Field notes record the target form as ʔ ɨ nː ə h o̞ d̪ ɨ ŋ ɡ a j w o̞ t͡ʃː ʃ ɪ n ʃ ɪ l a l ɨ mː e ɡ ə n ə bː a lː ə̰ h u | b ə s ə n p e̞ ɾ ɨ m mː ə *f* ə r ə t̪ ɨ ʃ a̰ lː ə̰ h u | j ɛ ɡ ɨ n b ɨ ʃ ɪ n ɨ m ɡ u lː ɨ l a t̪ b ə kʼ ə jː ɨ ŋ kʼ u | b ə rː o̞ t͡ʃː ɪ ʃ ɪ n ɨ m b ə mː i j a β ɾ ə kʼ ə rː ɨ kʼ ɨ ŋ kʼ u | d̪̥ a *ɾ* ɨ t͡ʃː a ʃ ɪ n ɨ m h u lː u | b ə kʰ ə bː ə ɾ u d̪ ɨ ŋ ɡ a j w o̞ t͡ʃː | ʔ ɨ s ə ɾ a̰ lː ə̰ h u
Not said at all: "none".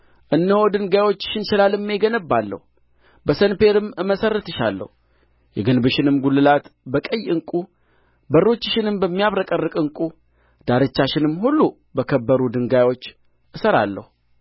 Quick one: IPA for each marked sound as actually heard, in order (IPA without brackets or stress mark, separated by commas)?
s, ɾ